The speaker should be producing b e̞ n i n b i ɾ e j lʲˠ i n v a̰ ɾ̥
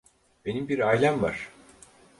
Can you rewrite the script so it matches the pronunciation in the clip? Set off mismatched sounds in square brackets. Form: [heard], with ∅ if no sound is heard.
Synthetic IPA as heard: b e̞ n i [m] b i ɾ [a] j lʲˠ [a] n v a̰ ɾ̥